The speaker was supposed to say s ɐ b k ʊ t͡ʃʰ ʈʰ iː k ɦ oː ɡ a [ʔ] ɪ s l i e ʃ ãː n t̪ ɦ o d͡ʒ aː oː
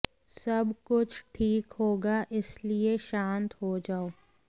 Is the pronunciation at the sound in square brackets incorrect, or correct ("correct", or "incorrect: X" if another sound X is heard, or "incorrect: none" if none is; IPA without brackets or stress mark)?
correct